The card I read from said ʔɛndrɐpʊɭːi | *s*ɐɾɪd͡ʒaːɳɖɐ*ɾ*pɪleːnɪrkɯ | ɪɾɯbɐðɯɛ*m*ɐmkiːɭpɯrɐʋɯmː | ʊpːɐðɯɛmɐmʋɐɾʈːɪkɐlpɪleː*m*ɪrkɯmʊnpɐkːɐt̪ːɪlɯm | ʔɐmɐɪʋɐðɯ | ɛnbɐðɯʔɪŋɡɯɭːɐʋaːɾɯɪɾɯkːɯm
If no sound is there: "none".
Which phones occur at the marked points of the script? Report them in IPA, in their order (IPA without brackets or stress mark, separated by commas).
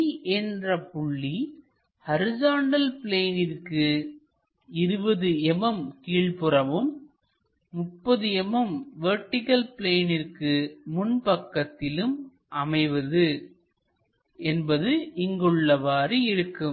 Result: h, l, m, n